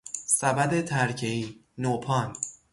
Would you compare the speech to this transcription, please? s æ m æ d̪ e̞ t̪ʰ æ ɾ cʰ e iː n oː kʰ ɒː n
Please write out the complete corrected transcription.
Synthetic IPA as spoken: s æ b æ d̪ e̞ t̪ʰ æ ɾ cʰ e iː n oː pʰ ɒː n